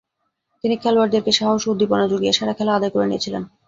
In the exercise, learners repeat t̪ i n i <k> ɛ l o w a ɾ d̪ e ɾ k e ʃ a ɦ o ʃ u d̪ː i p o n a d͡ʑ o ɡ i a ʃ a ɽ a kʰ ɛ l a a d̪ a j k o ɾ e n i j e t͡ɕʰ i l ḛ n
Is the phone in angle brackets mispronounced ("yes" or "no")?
yes